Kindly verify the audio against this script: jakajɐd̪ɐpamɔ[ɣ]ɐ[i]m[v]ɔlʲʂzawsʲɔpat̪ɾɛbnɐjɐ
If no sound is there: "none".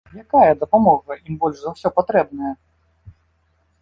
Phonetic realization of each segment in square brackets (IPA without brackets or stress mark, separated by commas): ɣ, i, b